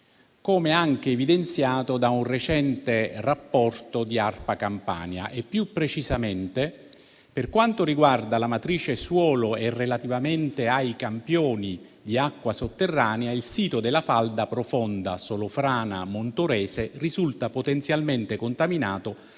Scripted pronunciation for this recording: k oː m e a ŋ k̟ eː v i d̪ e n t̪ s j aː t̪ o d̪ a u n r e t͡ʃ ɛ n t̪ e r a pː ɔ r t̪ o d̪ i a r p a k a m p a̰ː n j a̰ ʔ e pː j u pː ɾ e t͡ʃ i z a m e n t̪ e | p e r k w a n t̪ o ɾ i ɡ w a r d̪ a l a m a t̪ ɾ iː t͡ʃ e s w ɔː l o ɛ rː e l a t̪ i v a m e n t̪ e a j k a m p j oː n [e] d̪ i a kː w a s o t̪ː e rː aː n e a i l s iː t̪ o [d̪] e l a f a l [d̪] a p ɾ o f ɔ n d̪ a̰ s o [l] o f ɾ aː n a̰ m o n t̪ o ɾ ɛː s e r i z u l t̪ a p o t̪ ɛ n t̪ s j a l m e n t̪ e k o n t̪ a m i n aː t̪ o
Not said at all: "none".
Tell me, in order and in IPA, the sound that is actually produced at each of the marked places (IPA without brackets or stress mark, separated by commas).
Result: i, d̪, d̪, l